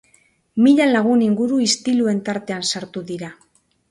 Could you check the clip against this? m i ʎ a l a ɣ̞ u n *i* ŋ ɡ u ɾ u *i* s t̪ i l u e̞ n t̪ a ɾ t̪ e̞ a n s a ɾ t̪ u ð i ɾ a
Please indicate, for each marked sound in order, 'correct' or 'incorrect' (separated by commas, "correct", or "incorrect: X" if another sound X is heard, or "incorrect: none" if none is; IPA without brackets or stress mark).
correct, correct